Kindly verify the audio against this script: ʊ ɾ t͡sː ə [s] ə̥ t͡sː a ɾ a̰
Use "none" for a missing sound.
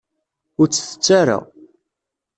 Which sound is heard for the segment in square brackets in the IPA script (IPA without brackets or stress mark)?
θ